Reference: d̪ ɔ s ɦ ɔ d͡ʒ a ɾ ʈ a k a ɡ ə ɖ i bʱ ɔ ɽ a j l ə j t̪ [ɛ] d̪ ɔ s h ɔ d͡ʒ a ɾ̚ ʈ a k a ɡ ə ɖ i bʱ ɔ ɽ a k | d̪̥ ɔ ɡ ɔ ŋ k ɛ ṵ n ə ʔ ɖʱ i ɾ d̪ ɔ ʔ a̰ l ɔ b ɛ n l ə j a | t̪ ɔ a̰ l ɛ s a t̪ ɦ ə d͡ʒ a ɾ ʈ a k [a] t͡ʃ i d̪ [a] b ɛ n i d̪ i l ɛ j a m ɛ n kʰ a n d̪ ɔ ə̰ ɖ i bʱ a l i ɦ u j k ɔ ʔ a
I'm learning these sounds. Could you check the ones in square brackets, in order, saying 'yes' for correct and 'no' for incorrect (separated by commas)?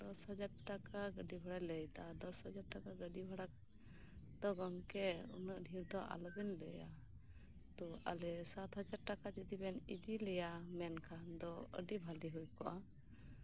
no, yes, no